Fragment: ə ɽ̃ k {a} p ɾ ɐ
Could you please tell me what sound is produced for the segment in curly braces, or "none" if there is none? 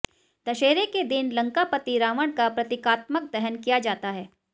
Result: a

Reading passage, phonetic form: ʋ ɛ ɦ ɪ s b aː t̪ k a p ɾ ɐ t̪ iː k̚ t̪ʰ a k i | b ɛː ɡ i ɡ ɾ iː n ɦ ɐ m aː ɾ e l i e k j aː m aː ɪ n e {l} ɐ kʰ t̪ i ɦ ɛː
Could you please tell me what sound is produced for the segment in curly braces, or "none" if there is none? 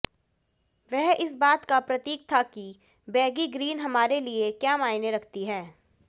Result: ɾ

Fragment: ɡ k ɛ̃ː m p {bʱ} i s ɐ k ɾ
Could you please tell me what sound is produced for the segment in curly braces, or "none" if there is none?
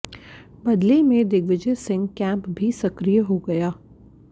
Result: bʱ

